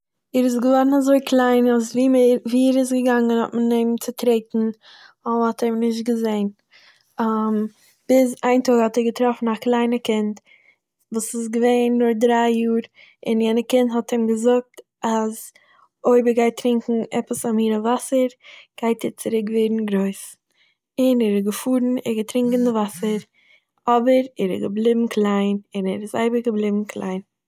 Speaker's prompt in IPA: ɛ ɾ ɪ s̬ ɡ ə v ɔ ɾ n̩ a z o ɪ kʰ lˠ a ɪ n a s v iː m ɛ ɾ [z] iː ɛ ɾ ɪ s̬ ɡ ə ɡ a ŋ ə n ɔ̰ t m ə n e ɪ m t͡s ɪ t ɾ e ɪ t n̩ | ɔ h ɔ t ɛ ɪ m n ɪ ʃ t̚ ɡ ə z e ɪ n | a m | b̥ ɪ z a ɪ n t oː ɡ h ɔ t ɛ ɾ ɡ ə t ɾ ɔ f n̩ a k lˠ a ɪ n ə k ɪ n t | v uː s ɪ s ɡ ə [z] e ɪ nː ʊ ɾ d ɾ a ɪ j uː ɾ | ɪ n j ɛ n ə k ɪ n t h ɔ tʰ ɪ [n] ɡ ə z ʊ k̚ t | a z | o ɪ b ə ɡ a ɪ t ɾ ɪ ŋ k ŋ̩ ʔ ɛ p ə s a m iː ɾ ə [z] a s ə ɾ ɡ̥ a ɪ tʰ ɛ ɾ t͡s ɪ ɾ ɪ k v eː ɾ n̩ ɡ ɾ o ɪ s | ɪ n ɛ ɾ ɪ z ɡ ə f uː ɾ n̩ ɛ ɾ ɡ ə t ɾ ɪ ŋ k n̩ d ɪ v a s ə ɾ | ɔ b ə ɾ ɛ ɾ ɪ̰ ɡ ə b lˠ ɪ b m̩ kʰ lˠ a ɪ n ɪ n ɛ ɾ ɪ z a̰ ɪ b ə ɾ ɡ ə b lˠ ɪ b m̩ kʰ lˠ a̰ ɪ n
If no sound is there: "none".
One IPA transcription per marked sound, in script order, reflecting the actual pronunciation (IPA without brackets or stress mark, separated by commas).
v, v, m, v